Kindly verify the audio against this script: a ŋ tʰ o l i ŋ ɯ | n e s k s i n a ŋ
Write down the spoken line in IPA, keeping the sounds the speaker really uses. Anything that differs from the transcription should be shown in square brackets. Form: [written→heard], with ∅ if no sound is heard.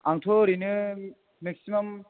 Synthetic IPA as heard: a ŋ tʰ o [l→ɾ] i [ŋ→n] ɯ | [n→m] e [s→∅] k s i [n→m] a [ŋ→m]